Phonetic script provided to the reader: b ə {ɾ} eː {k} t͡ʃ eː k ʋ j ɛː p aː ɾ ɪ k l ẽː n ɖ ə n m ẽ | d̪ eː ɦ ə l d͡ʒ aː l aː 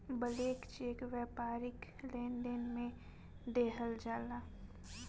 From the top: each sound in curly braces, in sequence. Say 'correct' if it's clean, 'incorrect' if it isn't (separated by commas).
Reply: incorrect, correct